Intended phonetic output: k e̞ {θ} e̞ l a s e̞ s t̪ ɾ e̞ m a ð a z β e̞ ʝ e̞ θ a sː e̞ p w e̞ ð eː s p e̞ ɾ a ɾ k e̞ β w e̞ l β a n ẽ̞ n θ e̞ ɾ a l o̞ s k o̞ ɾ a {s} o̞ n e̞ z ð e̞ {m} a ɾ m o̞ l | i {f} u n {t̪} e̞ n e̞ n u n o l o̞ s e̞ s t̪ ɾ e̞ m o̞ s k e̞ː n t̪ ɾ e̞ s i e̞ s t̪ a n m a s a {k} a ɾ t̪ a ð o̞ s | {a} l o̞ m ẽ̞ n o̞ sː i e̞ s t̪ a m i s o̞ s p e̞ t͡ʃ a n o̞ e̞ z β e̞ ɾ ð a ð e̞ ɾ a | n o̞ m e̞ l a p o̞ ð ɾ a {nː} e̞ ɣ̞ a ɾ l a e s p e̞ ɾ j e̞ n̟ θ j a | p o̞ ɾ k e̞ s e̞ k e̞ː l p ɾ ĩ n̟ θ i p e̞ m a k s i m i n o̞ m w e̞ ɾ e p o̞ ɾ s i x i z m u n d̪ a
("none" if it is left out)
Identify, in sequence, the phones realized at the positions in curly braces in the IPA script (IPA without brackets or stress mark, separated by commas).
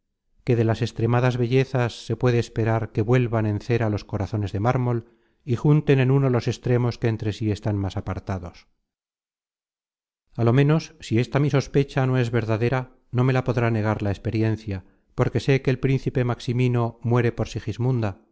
ð, θ, m, x, t̪, p, a, n